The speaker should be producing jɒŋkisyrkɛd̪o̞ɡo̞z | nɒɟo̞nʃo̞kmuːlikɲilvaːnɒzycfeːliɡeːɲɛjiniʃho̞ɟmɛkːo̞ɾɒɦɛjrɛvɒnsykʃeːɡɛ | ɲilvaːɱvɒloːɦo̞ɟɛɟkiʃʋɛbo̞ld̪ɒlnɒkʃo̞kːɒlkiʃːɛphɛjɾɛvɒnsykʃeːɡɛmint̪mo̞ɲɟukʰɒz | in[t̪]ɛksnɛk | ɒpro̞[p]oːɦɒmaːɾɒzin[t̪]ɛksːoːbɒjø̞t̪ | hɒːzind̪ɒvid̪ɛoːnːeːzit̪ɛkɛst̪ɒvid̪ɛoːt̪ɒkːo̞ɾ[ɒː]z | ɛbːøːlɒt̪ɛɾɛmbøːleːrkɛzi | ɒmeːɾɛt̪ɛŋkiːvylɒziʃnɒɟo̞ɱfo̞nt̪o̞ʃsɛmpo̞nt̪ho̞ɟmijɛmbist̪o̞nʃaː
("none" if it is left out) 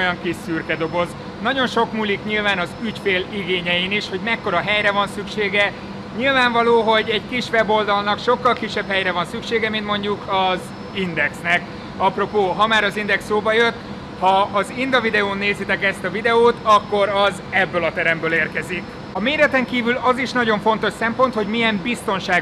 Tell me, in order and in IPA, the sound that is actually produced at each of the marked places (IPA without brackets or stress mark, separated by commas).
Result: d̪, p, d̪, ɒ